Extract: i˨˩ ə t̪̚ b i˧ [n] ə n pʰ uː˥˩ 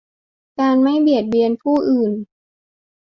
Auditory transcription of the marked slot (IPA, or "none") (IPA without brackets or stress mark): none